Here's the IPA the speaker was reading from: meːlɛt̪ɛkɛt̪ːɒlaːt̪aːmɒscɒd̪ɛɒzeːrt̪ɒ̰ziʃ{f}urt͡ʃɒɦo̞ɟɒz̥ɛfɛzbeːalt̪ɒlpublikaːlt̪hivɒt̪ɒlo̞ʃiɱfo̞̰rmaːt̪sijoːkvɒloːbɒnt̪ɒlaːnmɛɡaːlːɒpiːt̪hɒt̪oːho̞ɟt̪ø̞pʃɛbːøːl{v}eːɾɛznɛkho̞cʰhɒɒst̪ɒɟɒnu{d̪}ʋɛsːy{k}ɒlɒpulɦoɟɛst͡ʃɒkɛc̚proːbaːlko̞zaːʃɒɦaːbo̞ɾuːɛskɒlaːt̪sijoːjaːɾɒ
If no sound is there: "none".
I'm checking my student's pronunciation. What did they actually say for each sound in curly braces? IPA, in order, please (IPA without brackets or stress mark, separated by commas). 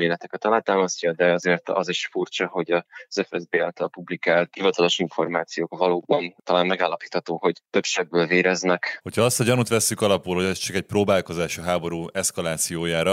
f, v, t̪, k